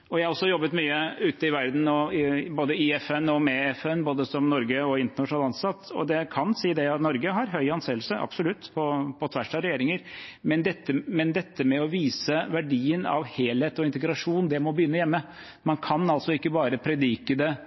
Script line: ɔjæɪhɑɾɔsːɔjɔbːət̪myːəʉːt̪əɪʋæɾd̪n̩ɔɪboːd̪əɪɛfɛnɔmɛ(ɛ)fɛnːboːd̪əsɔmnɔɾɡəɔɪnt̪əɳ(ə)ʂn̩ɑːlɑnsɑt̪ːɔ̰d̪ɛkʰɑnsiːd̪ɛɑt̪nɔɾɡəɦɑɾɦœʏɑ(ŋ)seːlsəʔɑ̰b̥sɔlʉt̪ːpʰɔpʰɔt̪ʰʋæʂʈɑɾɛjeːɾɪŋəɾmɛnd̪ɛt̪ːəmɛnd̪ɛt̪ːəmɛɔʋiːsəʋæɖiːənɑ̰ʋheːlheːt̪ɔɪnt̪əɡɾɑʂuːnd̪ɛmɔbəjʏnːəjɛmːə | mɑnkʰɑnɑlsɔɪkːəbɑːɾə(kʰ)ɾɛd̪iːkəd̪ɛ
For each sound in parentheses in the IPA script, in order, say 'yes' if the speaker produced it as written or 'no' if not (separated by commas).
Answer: yes, no, no, no